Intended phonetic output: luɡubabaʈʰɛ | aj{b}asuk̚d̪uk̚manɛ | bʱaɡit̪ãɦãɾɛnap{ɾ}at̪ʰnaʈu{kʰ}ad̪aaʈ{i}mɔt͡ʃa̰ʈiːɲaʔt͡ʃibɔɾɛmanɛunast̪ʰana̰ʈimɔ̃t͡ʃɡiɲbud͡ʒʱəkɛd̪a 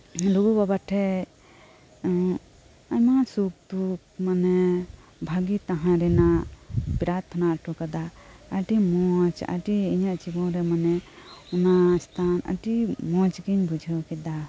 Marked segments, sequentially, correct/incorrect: incorrect: m, correct, incorrect: k, correct

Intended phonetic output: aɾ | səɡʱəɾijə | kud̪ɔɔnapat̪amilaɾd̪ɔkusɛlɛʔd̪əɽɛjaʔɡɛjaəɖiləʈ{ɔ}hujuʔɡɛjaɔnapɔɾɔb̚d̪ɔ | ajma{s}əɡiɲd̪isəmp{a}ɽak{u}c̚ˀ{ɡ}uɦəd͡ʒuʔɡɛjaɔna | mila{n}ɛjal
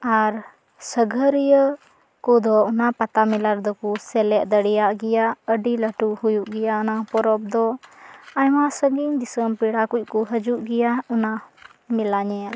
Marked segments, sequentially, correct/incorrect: incorrect: u, correct, incorrect: i, correct, incorrect: k, incorrect: ɲ

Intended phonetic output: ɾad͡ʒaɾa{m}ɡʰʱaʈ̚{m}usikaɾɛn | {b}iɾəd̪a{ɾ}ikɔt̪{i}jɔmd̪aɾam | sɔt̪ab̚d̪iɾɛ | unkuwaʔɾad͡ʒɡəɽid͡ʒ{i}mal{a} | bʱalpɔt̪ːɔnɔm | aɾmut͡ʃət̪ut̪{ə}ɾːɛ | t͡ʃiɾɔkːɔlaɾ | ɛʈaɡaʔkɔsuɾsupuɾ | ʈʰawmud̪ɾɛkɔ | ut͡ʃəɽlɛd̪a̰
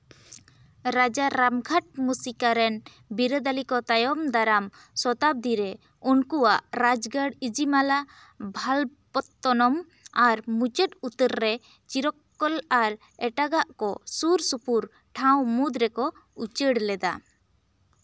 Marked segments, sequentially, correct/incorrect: correct, correct, correct, incorrect: l, incorrect: a, correct, correct, correct

